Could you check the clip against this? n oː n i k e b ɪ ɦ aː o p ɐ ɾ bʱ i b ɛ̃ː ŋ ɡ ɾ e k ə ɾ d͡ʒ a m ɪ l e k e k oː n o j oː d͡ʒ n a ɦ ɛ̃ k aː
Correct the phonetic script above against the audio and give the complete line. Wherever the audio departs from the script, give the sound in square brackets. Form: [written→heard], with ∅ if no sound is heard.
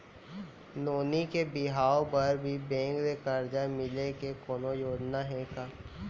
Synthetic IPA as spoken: n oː n i k e b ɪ ɦ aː o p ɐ ɾ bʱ i b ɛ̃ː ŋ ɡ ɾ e k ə ɾ d͡ʒ a m ɪ l e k e k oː n o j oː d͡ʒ n a ɦ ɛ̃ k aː